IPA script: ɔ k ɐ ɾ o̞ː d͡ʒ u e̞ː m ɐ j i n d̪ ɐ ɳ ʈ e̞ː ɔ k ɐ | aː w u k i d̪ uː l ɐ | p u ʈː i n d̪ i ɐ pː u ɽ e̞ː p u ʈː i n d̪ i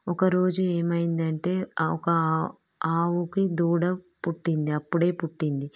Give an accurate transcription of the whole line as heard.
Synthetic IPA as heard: ɔ k ɐ ɾ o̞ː d͡ʒ u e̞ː m ɐ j i n d̪ ɐ ɳ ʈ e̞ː ɔ k ɐ | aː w u k i d̪ uː ɽ ɐ | p u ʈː i n d̪ i ɐ pː u ɽ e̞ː p u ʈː i n d̪ i

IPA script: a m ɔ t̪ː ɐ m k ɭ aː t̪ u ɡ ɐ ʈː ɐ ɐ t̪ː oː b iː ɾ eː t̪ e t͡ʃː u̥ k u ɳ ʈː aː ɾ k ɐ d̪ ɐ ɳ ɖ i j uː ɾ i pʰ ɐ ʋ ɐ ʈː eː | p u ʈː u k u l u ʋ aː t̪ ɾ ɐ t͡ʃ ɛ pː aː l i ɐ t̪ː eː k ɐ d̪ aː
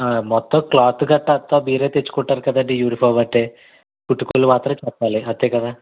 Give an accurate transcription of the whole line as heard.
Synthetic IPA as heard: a m ɔ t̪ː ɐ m k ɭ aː t̪ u ɡ ɐ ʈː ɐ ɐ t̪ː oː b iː ɾ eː t̪ e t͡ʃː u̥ k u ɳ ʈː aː ɾ k ɐ d̪ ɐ ɳ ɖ i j uː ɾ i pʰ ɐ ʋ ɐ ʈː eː | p u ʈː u k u l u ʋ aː t̪ ɾ ɐ t͡ʃ ɛ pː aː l i ɐ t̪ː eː k ɐ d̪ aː

